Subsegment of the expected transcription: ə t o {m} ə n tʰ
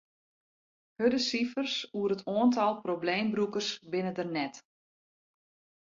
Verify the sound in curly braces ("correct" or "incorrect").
incorrect